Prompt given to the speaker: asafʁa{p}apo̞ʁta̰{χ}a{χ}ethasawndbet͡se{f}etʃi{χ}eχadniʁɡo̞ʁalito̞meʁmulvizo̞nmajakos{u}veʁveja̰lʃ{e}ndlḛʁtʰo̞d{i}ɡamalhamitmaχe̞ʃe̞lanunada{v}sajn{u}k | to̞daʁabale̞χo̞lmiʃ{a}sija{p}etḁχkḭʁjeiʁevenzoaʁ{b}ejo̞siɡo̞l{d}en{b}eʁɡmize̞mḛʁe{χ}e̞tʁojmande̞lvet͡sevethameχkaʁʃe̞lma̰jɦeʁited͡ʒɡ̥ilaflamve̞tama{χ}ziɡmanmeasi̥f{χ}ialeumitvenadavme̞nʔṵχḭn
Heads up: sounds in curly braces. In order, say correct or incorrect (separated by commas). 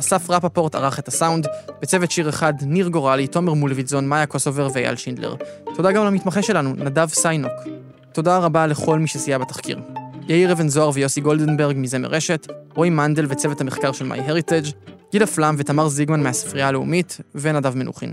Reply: correct, incorrect, correct, incorrect, incorrect, incorrect, incorrect, incorrect, correct, incorrect, incorrect, incorrect, incorrect, correct, correct, incorrect, incorrect, incorrect